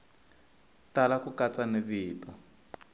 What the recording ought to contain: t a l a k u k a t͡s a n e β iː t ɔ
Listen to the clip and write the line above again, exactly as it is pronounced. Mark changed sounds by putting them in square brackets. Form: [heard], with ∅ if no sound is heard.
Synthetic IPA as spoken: t a l a k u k a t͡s a n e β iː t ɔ